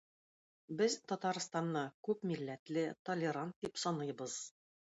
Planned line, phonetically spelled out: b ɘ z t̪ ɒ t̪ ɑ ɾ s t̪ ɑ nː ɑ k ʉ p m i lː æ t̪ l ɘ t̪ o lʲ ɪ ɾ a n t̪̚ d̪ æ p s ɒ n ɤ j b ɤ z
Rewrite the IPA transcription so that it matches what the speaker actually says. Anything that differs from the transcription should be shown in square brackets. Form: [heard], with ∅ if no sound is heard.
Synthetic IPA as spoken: b ɘ z t̪ ɒ t̪ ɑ ɾ s t̪ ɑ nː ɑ k ʉ p m i lː æ t̪ l ɘ t̪ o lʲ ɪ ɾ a n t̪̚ d̪ [i] p s ɒ n ɤ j b ɤ z